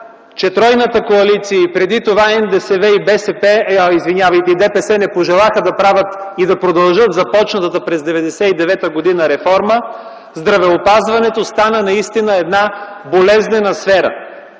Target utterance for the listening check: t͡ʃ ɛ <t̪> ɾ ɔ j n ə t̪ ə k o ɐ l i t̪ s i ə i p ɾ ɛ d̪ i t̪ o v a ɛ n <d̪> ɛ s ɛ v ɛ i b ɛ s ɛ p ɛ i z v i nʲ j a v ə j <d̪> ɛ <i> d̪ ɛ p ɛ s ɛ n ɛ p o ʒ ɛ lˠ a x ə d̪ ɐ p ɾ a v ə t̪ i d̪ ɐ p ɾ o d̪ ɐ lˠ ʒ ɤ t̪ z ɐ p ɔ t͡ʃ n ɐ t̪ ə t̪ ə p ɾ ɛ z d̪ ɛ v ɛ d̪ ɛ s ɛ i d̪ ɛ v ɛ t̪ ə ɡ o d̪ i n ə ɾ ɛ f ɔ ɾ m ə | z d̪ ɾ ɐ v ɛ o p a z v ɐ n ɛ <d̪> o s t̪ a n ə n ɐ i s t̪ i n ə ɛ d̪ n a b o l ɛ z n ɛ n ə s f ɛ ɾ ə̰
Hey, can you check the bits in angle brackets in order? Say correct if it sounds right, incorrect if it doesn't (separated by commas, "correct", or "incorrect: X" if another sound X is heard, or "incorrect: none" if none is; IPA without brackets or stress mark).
correct, correct, incorrect: t̪, correct, incorrect: t̪